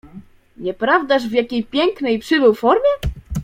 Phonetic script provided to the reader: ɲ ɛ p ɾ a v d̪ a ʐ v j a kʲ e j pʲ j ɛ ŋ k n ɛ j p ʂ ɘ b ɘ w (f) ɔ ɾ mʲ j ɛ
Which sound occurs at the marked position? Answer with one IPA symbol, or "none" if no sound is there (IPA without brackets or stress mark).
f